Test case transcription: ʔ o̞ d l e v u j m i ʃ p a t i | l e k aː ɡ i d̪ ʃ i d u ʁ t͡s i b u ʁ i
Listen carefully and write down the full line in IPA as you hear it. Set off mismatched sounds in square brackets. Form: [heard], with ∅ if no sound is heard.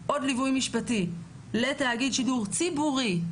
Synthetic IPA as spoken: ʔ o̞ d l [i] v u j m i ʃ p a t i | l e [t] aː ɡ i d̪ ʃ i d u ʁ t͡s i b u ʁ i